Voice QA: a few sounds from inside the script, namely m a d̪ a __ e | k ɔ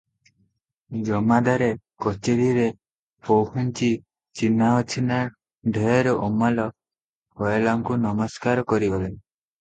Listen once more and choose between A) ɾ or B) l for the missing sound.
A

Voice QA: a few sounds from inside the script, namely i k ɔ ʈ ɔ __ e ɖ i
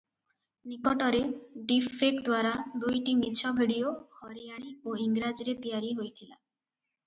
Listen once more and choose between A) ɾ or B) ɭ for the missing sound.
A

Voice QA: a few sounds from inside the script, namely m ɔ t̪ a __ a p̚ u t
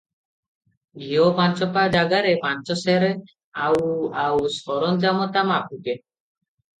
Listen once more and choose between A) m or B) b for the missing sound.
A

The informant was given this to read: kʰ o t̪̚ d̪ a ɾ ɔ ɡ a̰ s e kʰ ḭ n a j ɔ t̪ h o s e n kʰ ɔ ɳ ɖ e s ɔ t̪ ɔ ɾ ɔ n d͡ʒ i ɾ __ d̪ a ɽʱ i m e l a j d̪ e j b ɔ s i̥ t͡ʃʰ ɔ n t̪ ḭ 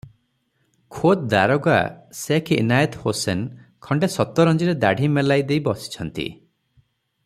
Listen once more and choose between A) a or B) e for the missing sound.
B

